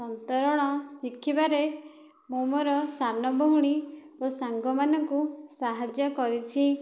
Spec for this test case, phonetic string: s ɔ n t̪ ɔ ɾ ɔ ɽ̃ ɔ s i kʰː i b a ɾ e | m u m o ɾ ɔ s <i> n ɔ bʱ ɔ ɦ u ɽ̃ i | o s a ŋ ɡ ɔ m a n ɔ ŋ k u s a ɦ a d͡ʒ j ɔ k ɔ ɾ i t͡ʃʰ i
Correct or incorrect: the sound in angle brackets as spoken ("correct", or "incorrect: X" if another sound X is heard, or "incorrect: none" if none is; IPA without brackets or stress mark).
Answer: incorrect: a